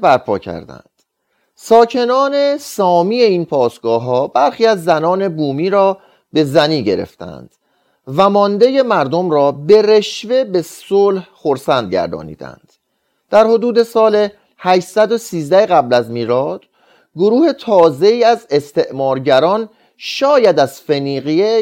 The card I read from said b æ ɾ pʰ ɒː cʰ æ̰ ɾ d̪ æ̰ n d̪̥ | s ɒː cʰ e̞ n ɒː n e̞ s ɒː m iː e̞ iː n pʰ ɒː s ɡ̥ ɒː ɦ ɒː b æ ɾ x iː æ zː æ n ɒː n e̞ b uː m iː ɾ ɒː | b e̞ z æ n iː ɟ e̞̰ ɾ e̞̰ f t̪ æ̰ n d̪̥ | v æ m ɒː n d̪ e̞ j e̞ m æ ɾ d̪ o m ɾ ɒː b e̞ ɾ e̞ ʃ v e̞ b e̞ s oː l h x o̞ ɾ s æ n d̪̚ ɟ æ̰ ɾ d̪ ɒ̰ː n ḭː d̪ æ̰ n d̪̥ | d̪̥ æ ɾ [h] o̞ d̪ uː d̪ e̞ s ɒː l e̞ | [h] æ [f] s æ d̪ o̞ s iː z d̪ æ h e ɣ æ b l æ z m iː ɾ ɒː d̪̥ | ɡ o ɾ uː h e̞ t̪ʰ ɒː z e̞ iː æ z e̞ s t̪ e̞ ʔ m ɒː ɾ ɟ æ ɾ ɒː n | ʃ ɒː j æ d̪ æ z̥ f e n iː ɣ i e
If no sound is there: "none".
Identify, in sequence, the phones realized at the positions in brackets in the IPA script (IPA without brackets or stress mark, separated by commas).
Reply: h, h, ʃ